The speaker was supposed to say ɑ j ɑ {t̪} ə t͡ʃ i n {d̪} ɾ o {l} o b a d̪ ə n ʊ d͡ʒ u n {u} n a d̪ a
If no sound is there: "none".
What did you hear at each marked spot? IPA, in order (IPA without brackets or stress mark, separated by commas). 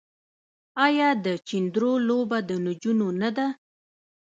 d̪, d̪, l, o